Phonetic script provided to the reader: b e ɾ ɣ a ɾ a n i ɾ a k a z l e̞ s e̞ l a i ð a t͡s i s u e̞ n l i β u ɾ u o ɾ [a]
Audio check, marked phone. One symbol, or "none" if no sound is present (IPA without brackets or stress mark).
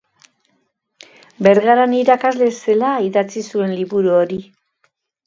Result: i